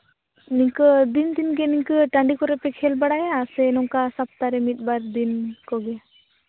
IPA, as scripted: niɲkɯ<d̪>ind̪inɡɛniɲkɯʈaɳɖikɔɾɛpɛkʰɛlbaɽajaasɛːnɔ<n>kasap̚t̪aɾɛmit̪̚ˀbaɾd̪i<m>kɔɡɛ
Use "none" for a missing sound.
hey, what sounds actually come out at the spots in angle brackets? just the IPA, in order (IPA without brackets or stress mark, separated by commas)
d̪, ŋ, n